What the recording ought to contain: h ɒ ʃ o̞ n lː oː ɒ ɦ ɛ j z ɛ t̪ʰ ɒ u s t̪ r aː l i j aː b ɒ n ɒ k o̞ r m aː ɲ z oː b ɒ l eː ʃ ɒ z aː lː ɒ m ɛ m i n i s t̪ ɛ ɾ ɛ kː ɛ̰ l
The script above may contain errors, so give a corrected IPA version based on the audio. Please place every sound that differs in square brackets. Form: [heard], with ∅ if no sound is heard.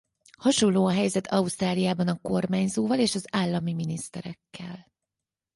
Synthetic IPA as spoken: h ɒ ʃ o̞ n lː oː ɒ ɦ ɛ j z ɛ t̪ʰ ɒ u s t̪ r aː l i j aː b ɒ n ɒ k o̞ r m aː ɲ z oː [v] ɒ l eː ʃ ɒ z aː lː ɒ m [i] m i n i s t̪ ɛ ɾ ɛ kː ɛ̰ l

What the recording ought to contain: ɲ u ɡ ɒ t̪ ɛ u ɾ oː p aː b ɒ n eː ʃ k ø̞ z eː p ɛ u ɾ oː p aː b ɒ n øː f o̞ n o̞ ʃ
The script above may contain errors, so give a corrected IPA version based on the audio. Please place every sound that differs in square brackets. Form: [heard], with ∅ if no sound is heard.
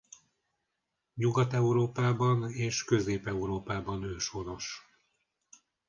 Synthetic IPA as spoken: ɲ u ɡ ɒ t̪ ɛ u ɾ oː p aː b ɒ n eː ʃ k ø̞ z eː p ɛ u ɾ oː p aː b ɒ n øː [ʃ] o̞ n o̞ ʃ

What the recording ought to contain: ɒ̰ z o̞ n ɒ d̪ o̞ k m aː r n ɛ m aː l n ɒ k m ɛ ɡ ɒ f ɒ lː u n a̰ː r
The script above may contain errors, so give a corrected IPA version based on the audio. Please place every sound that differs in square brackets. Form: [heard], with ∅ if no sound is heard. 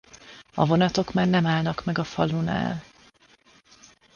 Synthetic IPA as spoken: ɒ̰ [v] o̞ n ɒ [t̪] o̞ k m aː r n ɛ m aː l n ɒ k m ɛ ɡ ɒ f ɒ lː u n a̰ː [l]

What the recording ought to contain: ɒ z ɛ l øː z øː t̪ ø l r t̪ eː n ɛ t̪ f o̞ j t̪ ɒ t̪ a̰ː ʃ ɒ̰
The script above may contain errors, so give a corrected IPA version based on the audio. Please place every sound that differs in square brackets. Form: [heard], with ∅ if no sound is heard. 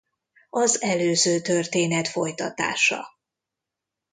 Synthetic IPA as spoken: ɒ z ɛ l øː z øː t̪ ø [∅] r t̪ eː n ɛ t̪ f o̞ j t̪ ɒ t̪ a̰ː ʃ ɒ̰

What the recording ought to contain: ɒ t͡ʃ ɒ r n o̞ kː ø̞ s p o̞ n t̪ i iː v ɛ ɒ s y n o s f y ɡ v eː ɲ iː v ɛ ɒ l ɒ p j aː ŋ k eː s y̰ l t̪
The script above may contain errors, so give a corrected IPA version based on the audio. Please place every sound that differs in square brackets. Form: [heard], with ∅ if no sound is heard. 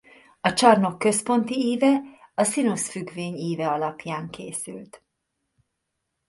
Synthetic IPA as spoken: ɒ t͡ʃ ɒ r n o̞ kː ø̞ s p o̞ n t̪ i iː v ɛ ɒ s [i] n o s f y ɡ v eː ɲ iː v ɛ ɒ l ɒ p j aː ŋ k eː s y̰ l t̪

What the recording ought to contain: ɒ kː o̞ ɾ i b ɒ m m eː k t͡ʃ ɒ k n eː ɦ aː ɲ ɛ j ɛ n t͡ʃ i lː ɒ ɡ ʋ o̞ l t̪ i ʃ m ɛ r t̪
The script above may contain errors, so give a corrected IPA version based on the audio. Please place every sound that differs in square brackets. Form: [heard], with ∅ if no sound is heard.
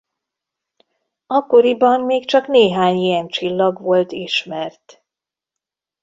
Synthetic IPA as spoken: ɒ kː o̞ ɾ i b ɒ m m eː k t͡ʃ ɒ k n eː ɦ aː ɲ [i] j ɛ n t͡ʃ i lː ɒ ɡ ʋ o̞ l t̪ i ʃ m ɛ r t̪

